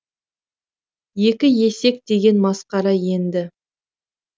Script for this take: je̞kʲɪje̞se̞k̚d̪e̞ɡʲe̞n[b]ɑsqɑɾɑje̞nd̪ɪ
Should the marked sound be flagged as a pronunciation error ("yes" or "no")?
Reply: yes